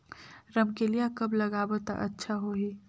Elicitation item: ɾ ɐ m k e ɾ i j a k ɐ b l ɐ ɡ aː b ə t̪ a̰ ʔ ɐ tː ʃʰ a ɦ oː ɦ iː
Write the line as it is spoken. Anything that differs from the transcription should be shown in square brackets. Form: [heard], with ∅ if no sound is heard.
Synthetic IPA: ɾ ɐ m k e [l] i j a k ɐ b l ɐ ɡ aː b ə t̪ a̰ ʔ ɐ tː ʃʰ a ɦ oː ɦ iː